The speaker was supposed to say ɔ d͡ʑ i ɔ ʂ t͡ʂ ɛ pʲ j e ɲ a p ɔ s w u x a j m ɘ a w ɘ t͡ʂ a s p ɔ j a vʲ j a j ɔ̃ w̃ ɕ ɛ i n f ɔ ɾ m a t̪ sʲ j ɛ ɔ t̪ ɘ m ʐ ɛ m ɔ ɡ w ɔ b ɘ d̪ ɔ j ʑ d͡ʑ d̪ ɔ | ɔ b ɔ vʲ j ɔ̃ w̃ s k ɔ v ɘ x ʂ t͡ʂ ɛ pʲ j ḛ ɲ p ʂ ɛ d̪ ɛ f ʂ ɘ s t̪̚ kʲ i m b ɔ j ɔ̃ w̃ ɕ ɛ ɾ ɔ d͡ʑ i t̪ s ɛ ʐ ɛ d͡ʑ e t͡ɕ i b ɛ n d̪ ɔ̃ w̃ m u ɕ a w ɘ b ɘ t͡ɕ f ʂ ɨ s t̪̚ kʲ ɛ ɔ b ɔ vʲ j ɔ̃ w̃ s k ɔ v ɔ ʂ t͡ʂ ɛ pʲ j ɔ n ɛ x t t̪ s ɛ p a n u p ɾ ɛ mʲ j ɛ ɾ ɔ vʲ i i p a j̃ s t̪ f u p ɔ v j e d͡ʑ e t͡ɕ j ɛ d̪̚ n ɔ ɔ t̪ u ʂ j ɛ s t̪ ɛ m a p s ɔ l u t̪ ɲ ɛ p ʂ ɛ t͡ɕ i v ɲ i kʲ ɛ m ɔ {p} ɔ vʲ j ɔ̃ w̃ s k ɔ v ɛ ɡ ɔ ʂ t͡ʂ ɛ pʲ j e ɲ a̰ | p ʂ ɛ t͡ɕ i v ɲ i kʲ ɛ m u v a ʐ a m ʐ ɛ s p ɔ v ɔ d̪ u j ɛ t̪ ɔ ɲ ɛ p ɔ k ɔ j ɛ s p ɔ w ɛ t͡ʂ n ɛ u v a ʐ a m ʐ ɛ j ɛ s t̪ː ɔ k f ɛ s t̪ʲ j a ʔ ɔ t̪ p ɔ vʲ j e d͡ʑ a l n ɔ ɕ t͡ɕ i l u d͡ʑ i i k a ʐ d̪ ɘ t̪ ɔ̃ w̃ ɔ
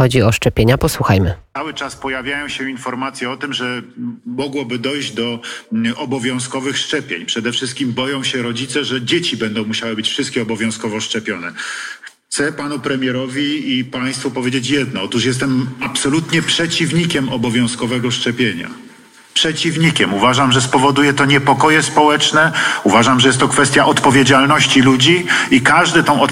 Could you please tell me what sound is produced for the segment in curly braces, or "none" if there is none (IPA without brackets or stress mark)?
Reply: b